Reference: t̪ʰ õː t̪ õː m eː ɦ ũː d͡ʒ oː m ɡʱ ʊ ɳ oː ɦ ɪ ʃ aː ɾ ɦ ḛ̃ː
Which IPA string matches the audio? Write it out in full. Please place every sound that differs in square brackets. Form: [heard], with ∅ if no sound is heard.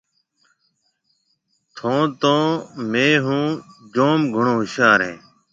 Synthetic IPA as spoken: t̪ʰ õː t̪ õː m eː ɦ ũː d͡ʒ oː m ɡʱ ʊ ɳ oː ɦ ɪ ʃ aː ɾ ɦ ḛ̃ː